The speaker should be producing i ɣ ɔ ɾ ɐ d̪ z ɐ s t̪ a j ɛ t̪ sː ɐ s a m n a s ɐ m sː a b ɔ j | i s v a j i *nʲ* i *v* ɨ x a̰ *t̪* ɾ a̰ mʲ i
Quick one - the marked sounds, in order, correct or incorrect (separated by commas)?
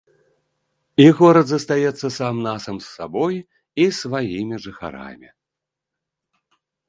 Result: incorrect, incorrect, incorrect